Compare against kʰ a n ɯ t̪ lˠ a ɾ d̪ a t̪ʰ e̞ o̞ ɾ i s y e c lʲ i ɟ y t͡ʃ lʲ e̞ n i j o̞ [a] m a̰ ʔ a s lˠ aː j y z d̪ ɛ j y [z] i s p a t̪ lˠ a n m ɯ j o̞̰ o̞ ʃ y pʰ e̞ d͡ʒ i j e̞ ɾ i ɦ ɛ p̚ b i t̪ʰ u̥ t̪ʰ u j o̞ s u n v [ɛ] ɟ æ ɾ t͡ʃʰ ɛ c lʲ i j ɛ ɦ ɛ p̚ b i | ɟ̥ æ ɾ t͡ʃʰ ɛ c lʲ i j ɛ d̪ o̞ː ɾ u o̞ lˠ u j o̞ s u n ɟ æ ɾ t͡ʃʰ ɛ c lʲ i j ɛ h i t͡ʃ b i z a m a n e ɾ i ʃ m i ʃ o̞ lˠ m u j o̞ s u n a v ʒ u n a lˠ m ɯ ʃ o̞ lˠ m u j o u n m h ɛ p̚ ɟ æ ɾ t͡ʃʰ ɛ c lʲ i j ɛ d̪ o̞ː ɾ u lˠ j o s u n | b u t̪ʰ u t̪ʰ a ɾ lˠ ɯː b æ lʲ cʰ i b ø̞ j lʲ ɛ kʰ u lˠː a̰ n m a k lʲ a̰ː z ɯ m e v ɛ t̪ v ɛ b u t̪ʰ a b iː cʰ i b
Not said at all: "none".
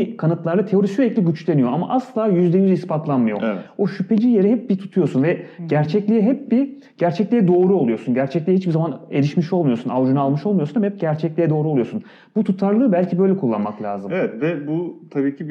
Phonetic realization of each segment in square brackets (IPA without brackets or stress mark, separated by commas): a, z, ɛ